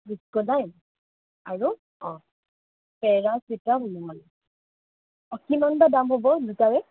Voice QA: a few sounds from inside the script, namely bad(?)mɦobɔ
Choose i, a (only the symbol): a